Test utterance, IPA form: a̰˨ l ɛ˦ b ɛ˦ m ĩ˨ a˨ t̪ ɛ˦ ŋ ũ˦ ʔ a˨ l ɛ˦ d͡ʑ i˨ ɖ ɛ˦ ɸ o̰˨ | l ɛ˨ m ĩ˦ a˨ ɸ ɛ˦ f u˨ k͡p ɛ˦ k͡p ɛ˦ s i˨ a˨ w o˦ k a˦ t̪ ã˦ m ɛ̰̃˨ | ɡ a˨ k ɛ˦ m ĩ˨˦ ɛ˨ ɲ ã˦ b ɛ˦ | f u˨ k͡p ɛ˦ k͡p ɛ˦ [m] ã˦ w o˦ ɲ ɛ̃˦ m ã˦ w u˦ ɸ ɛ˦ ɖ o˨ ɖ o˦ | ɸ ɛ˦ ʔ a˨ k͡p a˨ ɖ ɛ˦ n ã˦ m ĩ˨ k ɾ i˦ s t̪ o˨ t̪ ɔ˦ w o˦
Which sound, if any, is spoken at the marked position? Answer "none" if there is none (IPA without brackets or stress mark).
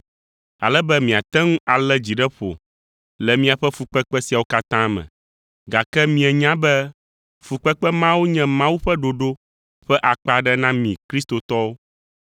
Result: m